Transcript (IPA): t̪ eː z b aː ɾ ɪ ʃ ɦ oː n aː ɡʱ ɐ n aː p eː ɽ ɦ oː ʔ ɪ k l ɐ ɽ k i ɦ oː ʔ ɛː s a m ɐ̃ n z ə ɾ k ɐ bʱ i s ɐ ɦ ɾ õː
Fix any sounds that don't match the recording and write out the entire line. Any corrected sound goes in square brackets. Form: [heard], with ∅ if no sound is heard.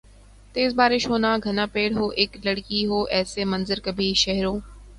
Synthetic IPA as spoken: t̪ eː z b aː ɾ ɪ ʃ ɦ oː n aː ɡʱ ɐ n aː p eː ɽ ɦ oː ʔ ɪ k l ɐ ɽ k i ɦ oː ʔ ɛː s [e] m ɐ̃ n z ə ɾ k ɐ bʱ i [ʃ] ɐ ɦ ɾ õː